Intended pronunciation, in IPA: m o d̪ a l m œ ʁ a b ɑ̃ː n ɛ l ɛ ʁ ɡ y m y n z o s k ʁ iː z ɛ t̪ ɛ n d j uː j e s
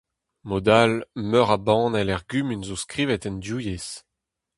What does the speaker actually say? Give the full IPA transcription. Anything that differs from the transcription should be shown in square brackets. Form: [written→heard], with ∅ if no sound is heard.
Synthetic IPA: m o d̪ a l m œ ʁ a b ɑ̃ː n ɛ l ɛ ʁ ɡ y m y n z o s k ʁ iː [z→v] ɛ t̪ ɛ n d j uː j e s